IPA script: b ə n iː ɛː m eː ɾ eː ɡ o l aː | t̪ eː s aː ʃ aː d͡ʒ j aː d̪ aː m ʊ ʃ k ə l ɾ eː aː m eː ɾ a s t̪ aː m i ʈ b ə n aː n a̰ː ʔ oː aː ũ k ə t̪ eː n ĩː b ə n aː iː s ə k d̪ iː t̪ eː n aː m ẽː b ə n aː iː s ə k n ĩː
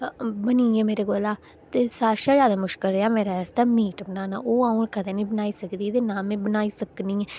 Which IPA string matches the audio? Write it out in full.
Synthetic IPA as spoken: b ə n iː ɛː m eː ɾ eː ɡ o l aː | t̪ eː s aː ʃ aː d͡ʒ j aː d̪ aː m ʊ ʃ k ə l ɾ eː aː m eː ɾ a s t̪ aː m iː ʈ b ə n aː n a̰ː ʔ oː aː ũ k ə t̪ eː n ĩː b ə n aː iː s ə k d̪ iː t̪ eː n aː m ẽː b ə n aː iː s ə k n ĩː